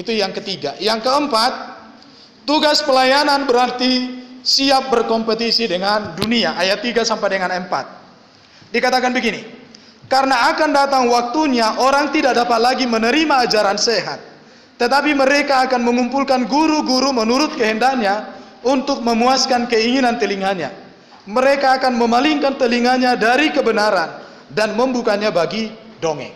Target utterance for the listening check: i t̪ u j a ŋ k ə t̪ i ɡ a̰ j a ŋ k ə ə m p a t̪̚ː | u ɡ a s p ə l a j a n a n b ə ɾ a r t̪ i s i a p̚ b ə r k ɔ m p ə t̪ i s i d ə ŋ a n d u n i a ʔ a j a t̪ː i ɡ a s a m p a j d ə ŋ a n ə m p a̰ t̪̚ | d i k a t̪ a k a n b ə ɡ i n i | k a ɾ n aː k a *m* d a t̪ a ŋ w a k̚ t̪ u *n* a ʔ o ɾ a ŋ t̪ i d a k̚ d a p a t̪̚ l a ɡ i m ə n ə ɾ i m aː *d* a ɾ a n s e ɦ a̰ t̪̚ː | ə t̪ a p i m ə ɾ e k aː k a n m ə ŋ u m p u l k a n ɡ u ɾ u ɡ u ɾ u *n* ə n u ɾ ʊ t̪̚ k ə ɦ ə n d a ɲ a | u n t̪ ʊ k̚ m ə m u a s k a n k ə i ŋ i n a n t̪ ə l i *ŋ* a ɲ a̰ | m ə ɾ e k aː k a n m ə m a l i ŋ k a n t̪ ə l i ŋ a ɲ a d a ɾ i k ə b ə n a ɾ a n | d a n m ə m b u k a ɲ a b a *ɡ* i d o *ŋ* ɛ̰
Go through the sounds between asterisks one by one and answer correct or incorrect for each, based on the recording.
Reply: incorrect: n, incorrect: ɲ, incorrect: d͡ʒ, incorrect: m, correct, correct, correct

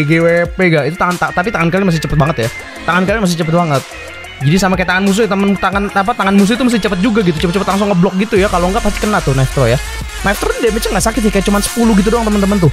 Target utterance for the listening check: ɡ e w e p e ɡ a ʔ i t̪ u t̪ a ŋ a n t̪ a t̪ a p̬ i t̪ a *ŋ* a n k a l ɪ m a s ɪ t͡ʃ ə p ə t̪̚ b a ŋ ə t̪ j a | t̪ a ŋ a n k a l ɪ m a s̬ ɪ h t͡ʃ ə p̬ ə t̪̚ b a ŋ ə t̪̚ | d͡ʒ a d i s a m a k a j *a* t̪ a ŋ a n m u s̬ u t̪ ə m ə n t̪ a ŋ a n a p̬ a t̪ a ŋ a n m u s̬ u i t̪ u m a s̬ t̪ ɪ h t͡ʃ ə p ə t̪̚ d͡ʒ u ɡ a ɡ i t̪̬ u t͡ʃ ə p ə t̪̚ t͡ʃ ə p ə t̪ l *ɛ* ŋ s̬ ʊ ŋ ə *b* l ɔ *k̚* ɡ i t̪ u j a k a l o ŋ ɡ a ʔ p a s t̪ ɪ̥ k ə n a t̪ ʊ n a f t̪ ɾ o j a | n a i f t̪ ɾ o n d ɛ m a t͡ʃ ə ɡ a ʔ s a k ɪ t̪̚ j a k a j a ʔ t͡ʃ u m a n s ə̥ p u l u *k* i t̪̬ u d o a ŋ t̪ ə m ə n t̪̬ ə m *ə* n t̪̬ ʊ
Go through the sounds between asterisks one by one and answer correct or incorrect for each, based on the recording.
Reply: correct, correct, incorrect: a, correct, correct, incorrect: ɡ, correct

